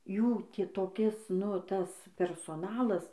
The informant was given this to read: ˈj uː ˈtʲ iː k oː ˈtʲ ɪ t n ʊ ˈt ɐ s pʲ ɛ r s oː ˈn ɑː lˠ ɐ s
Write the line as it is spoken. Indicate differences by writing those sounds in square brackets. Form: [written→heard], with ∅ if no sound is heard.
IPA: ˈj uː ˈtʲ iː [k→t] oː [ˈtʲ→ˈkʲ] ɪ [t→s] n ʊ ˈt ɐ s pʲ ɛ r s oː ˈn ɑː lˠ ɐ s